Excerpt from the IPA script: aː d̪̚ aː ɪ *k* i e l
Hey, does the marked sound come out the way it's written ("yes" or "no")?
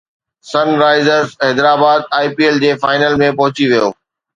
no